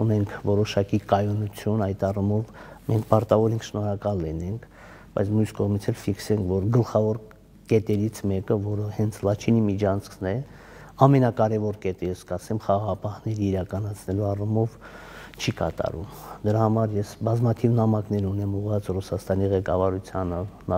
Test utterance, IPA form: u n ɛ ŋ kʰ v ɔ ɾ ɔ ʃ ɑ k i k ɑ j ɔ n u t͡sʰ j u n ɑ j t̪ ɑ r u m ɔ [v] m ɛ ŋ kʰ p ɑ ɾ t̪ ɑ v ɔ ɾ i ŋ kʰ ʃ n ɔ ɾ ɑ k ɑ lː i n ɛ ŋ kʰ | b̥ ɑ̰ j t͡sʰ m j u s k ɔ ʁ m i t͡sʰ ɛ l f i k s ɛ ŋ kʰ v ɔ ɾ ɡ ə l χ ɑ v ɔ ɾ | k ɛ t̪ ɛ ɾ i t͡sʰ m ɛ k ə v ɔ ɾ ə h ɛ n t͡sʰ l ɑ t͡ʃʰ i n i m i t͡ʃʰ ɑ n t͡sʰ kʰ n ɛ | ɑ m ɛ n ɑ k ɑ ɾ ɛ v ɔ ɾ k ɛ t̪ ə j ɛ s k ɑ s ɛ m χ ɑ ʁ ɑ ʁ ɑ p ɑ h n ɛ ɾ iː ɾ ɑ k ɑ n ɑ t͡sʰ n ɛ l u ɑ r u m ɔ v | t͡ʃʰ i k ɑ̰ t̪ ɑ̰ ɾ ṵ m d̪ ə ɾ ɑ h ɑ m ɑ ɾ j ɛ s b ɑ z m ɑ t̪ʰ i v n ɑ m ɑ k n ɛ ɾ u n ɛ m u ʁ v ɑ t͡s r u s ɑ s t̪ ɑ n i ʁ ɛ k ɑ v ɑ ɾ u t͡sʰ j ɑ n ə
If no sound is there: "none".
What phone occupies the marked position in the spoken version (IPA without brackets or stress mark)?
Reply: v